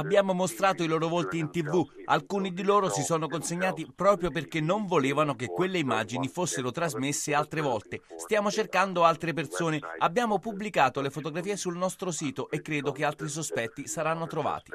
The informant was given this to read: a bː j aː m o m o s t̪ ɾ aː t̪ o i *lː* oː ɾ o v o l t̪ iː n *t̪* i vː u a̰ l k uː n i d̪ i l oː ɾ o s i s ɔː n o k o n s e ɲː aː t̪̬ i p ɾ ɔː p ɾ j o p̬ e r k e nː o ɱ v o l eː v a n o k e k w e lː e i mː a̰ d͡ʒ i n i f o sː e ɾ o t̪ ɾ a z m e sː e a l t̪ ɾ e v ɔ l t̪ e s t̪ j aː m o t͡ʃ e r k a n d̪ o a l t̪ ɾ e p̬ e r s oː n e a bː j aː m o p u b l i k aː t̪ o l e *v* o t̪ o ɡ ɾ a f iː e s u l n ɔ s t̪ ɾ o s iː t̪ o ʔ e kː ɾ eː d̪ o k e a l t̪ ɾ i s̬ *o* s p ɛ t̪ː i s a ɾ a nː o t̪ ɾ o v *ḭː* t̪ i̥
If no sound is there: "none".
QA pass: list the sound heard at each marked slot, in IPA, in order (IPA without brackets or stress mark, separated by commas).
l, t̪, f, o, a̰ː